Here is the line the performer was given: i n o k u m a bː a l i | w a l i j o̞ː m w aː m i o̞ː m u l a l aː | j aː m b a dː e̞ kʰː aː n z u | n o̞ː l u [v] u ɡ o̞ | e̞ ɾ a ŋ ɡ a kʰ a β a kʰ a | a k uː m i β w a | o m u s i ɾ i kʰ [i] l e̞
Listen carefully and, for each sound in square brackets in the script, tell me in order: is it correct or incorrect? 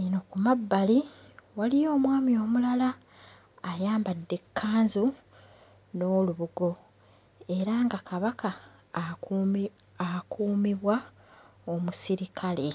incorrect, incorrect

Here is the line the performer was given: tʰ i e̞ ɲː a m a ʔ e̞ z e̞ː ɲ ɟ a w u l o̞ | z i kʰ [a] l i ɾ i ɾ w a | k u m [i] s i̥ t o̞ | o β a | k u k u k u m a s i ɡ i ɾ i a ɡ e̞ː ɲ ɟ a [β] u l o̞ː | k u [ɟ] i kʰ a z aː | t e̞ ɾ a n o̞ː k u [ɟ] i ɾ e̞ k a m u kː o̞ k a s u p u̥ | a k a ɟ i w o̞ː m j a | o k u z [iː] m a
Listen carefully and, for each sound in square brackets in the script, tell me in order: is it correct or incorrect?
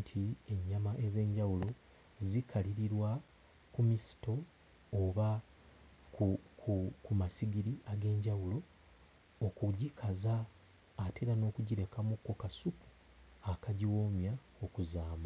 correct, correct, incorrect, correct, correct, incorrect

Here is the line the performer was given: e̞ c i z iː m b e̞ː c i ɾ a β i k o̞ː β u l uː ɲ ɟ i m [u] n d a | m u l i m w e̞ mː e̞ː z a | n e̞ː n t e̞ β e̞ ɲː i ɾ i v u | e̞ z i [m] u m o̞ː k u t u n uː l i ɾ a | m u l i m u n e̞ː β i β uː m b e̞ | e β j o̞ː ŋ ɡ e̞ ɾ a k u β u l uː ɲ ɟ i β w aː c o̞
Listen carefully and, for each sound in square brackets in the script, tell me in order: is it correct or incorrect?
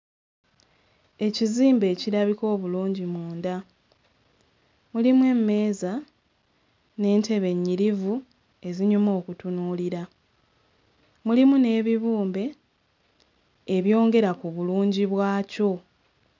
incorrect, incorrect

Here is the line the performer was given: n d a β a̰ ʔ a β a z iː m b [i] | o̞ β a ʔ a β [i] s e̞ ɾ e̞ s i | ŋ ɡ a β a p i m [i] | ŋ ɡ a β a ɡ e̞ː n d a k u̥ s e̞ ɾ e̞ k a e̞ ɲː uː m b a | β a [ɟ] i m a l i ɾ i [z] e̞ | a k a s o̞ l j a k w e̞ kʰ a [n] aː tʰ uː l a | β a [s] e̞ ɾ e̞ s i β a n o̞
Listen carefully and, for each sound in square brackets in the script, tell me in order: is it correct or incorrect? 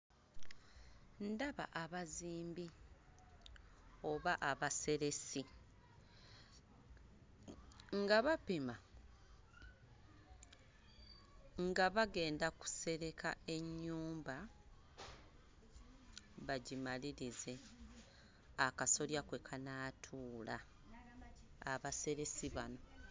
correct, incorrect, incorrect, correct, correct, correct, correct

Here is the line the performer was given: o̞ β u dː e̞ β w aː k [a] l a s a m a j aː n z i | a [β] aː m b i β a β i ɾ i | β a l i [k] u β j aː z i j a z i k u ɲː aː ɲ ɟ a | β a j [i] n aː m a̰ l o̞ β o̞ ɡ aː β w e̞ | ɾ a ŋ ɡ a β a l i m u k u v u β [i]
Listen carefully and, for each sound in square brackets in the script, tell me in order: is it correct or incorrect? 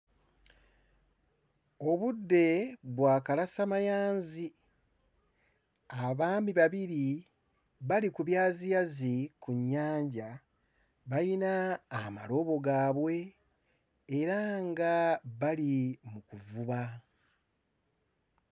correct, correct, correct, correct, incorrect

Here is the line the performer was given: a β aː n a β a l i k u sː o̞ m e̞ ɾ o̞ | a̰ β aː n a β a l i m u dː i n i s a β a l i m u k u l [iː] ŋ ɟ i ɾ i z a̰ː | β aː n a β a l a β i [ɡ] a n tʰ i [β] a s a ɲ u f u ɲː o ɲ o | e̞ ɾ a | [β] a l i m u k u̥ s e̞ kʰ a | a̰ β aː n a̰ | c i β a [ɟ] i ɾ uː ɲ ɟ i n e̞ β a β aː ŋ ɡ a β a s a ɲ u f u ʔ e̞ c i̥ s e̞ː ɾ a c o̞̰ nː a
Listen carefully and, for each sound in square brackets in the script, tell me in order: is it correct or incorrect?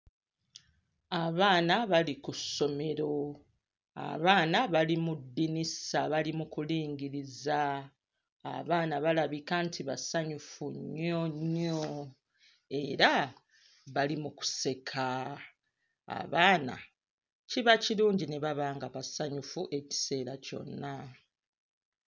correct, incorrect, correct, correct, incorrect

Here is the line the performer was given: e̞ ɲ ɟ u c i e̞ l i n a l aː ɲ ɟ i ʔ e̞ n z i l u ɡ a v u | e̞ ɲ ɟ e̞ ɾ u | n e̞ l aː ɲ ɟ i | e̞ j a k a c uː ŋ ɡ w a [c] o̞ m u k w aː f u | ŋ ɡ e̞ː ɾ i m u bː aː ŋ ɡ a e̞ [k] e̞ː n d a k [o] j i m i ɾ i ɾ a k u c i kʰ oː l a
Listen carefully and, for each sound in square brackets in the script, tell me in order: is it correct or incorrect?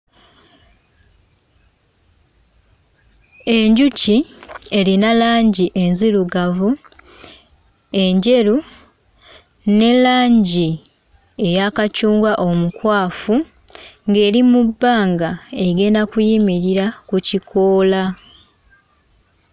incorrect, incorrect, incorrect

